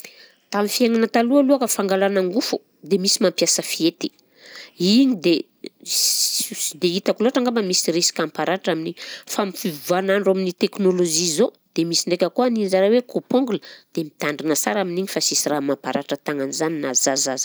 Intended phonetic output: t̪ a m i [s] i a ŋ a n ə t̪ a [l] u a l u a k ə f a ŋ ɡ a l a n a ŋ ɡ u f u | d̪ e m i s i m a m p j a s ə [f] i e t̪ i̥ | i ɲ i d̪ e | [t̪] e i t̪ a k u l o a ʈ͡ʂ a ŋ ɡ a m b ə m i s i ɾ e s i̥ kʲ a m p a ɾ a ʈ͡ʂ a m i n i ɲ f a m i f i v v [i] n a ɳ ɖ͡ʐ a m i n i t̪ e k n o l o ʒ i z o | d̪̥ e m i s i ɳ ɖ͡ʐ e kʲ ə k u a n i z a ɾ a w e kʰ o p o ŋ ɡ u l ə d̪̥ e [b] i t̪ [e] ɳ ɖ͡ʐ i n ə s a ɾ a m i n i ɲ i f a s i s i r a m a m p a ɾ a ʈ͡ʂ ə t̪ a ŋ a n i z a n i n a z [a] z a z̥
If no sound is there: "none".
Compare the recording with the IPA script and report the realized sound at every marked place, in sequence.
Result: f, l, f, d̪, a, m, a, a

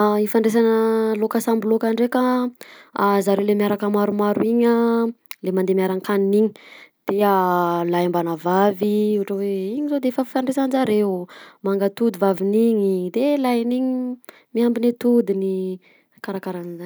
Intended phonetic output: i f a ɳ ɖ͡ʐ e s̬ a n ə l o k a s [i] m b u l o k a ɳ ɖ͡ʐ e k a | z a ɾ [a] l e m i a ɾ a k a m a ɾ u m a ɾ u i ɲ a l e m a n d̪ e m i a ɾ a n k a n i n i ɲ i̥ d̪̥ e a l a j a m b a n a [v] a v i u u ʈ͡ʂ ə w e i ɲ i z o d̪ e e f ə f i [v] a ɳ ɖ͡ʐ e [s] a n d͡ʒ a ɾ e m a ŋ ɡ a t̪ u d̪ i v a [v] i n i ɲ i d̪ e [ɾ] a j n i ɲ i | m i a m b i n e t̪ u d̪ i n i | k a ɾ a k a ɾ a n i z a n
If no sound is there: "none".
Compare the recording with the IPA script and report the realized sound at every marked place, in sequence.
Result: a, e, v, f, s, v, l

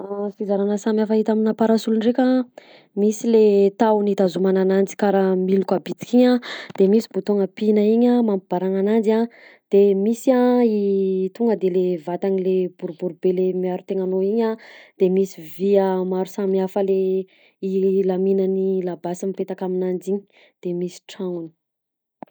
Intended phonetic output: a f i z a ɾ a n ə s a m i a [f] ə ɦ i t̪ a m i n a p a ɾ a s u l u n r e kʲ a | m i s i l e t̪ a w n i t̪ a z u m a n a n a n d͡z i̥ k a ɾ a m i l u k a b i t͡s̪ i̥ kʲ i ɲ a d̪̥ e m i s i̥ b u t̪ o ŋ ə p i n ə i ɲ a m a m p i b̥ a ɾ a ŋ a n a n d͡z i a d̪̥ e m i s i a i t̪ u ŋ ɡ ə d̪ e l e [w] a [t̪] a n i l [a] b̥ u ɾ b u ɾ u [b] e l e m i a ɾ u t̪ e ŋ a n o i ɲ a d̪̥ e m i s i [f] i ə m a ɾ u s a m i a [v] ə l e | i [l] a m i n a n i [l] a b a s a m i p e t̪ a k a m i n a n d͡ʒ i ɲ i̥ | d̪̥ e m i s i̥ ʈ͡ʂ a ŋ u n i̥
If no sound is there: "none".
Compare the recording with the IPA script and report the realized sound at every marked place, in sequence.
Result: f, v, t̪, e, b, v, f, l, l

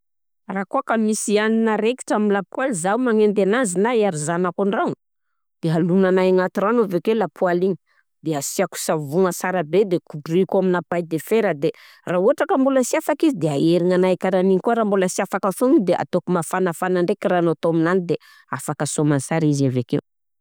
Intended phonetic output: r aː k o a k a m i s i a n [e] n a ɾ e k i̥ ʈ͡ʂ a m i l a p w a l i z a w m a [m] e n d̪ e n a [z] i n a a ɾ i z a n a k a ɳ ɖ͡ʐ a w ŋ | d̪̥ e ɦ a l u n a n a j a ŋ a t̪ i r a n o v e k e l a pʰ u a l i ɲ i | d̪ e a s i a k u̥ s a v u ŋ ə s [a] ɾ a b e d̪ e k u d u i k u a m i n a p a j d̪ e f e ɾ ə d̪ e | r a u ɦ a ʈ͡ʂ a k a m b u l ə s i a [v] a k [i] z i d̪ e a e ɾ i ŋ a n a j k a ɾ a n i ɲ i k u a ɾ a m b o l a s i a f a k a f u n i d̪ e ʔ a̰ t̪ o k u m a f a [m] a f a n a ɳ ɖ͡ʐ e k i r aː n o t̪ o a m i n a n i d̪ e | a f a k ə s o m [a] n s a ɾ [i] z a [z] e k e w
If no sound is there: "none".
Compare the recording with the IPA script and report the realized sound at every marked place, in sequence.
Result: i, ŋ, z, a, f, i, n, a, i, v

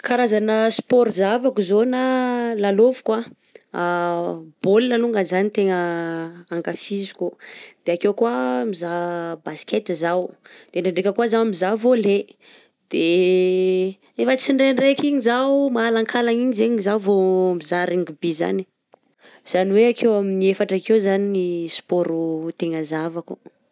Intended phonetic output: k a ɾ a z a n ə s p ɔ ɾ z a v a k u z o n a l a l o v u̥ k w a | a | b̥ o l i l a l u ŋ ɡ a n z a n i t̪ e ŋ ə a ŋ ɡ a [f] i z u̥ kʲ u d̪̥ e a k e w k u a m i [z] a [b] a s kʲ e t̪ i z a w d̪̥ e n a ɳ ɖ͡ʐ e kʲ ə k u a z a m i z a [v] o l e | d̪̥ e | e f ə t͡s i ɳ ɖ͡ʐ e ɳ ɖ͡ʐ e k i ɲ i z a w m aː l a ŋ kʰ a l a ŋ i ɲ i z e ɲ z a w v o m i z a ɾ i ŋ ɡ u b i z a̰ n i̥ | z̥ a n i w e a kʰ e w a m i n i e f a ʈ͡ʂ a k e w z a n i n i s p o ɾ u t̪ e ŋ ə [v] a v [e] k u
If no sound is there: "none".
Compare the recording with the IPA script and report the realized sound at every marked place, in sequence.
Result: f, z, b, v, z, a

